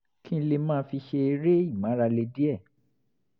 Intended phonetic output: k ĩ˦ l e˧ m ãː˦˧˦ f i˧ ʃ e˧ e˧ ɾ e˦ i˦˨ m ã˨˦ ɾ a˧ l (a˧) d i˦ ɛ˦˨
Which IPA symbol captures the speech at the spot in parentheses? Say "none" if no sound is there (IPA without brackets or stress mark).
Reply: e˧